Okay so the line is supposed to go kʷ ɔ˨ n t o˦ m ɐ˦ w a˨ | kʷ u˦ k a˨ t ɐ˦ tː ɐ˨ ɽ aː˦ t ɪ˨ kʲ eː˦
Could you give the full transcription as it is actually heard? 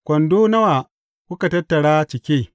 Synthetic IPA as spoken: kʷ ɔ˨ n d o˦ n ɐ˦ w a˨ | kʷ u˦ k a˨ t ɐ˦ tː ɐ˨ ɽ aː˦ t͡ʃ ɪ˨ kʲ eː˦